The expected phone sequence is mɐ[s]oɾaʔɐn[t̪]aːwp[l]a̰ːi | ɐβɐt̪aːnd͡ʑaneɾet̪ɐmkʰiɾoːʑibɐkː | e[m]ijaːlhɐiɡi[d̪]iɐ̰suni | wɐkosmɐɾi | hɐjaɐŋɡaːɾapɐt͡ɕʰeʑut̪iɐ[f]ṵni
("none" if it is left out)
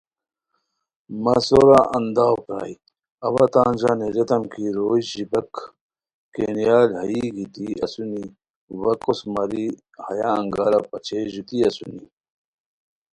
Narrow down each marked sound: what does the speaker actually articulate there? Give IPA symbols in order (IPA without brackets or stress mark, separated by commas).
s, d̪, ɾ, n, t̪, s